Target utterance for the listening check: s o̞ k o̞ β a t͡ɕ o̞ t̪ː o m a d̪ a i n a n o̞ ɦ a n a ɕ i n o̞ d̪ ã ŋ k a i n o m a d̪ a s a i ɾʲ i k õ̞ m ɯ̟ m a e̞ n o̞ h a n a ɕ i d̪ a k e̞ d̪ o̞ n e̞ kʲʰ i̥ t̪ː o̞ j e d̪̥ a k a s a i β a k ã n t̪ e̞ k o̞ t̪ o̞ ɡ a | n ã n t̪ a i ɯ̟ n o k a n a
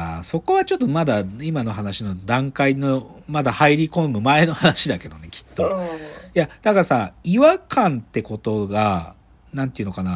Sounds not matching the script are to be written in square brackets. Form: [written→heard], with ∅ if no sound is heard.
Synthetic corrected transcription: s o̞ k o̞ β a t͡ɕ o̞ t̪ː o m a d̪ a i [n→m] a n o̞ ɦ a n a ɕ i n o̞ d̪ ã ŋ k a i n o m a d̪ a [s→h] a i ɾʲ i k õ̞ m ɯ̟ m a e̞ n o̞ h a n a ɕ i d̪ a k e̞ d̪ o̞ n e̞ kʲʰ i̥ t̪ː o̞ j [e→a] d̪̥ a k a s a i β a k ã n t̪ e̞ k o̞ t̪ o̞ ɡ a | n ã n t̪ [a→e] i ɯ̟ n o k a n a